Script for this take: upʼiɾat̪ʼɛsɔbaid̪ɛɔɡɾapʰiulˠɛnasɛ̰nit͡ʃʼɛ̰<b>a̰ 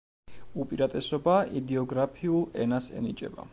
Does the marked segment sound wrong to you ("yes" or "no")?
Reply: no